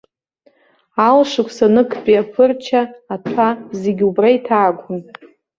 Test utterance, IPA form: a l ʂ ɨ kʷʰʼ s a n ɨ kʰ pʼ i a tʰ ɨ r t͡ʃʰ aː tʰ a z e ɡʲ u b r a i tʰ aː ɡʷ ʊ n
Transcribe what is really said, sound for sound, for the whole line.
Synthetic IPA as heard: a l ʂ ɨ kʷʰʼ s a n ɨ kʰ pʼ i a pʰ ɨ r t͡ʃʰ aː tʰ a z e ɡʲ u b r a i tʰ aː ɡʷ ʊ n